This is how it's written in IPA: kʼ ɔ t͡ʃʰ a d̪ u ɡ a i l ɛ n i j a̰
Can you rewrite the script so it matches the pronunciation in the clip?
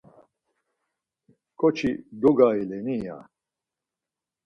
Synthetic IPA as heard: kʼ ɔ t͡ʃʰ i d̪ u ɡ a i l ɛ n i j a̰